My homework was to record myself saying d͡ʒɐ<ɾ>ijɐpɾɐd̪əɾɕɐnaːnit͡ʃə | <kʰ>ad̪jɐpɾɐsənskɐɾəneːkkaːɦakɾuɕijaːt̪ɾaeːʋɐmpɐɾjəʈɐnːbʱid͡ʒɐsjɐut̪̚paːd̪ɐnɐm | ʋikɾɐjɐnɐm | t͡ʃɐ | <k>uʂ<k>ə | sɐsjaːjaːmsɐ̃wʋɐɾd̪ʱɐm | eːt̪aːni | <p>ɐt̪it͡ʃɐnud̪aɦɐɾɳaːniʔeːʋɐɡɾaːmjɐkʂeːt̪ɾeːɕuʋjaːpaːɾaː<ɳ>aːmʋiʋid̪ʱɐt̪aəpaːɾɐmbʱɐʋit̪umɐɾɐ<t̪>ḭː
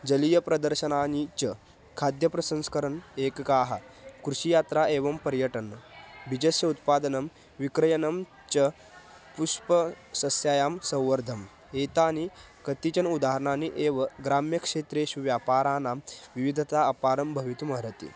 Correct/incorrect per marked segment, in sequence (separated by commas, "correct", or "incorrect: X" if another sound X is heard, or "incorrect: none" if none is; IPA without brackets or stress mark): incorrect: l, correct, incorrect: p, incorrect: p, incorrect: k, incorrect: n, correct